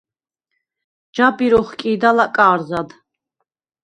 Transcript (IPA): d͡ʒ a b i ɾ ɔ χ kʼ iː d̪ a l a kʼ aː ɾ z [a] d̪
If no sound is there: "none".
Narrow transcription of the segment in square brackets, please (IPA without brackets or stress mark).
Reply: a